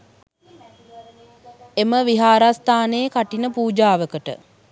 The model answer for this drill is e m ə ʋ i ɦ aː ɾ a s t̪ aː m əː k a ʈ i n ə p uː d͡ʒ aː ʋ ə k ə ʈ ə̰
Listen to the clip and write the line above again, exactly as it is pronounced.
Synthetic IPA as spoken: e m ə ʋ i ɦ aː ɾ a s t̪ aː n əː k a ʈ i n ə p uː d͡ʒ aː ʋ ə k ə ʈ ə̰